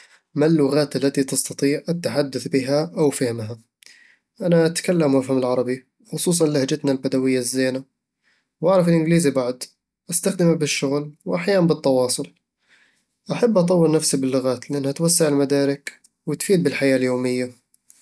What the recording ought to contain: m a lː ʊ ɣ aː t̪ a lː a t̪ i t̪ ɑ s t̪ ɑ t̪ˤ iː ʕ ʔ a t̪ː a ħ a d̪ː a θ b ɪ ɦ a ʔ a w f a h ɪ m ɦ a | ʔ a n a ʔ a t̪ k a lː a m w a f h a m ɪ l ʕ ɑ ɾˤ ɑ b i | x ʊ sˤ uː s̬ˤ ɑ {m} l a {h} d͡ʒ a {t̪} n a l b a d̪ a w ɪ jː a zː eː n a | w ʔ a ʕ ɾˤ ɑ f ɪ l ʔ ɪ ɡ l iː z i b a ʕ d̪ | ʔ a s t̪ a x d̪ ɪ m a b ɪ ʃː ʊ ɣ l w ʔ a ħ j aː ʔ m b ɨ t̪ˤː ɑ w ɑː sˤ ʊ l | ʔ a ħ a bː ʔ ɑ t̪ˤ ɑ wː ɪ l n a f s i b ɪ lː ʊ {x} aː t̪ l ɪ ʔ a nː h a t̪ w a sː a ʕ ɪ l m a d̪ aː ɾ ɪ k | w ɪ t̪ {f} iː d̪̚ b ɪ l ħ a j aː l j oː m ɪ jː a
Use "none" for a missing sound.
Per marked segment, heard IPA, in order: n, h, t̪, ɣ, f

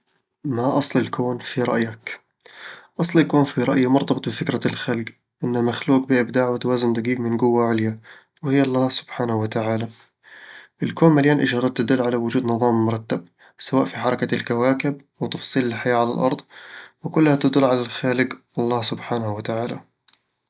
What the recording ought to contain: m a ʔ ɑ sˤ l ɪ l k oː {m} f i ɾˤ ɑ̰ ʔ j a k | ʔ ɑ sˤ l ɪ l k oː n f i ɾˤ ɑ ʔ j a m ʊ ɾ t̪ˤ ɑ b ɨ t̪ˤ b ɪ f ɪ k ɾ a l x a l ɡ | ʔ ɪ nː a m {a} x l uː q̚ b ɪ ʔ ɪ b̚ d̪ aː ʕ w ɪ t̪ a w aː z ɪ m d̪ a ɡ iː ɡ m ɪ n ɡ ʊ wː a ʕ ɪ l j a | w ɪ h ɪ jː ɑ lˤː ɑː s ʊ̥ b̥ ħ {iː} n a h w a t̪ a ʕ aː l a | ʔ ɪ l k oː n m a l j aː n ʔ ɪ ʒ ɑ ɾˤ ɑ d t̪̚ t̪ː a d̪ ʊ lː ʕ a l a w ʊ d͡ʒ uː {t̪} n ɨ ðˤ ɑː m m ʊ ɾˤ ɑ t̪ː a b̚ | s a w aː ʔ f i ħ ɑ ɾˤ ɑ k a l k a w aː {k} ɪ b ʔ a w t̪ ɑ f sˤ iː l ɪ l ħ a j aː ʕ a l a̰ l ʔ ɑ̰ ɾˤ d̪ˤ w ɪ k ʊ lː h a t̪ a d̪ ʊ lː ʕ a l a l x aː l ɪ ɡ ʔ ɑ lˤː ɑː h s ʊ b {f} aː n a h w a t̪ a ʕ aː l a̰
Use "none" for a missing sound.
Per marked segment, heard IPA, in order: n, a, aː, d̪, k, ħ

